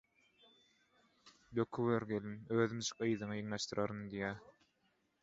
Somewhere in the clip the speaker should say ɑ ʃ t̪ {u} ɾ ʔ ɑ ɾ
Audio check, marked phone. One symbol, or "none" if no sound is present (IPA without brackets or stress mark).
ɯ